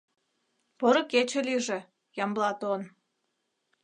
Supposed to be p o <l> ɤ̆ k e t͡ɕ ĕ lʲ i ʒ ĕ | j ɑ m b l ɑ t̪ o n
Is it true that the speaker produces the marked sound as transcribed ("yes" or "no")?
no